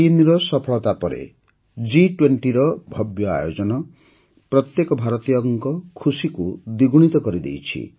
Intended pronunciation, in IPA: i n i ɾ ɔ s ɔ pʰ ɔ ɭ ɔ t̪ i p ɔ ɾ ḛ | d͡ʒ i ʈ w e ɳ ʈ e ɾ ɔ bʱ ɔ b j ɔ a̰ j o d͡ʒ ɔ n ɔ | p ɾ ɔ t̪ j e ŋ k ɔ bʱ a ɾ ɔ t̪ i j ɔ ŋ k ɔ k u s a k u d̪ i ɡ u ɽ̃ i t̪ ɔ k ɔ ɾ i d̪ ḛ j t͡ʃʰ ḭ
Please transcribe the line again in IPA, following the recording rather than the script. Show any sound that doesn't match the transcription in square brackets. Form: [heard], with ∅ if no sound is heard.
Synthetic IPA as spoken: i n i ɾ ɔ s ɔ pʰ ɔ ɭ ɔ t̪ [a] p ɔ ɾ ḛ | d͡ʒ i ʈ w e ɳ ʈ [i] ɾ ɔ bʱ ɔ b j ɔ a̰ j o d͡ʒ ɔ n ɔ | p ɾ ɔ t̪ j e [∅] k ɔ bʱ a ɾ ɔ t̪ i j ɔ ŋ k ɔ [kʰ] u s [i] k u d̪ i ɡ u ɽ̃ i t̪ ɔ k ɔ ɾ i d̪ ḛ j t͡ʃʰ ḭ